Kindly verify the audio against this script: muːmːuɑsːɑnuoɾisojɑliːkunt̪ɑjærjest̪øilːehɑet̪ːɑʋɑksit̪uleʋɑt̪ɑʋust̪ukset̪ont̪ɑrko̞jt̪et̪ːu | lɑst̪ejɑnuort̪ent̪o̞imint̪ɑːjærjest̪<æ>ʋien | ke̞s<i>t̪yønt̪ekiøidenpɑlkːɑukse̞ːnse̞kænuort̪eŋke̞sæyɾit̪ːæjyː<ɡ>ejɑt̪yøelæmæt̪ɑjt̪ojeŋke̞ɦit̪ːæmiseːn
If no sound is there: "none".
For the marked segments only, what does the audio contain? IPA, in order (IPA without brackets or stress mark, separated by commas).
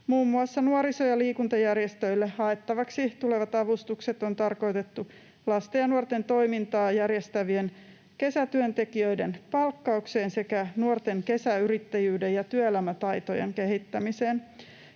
æ, æ, d